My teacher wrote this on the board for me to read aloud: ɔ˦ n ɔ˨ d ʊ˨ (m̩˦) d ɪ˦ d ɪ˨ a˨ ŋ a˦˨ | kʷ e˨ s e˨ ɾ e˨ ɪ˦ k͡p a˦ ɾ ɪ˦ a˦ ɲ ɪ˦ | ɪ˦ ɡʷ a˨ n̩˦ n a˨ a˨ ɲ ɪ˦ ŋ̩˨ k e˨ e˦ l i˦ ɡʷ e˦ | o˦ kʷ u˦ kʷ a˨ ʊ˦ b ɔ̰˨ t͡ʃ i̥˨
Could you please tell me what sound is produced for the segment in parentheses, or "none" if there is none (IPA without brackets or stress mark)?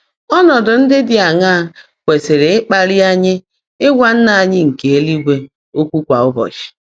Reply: n̩˦